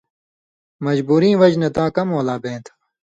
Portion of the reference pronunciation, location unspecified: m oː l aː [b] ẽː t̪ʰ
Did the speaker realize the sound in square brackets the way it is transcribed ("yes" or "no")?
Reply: yes